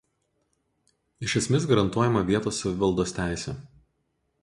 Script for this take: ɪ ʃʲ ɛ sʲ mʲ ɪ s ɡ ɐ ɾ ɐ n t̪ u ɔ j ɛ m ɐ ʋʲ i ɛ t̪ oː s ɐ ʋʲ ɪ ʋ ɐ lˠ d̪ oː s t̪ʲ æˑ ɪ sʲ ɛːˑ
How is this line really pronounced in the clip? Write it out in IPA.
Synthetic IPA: ɪ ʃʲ ɛ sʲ mʲ ɪ s ɡ ɐ ɾ ɐ n t̪ u ɔ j ɛ m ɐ ʋʲ i ɛ t̪ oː s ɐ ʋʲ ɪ ʋ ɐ lˠ d̪ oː s t̪ʲ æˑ ɪ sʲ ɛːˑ